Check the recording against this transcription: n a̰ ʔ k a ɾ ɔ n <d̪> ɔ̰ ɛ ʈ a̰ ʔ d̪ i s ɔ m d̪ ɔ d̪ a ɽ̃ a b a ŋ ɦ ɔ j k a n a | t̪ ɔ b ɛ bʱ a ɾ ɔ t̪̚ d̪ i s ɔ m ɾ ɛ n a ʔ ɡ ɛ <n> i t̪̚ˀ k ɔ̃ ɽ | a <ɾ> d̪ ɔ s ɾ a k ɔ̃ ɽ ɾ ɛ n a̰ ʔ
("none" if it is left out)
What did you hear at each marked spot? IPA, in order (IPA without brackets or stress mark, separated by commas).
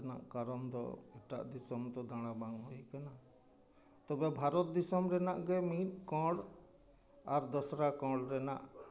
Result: d̪, m, ɾ